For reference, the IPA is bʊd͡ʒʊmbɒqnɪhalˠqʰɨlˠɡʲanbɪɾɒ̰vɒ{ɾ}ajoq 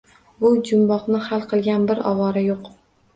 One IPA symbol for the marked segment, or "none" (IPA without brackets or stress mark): ɾ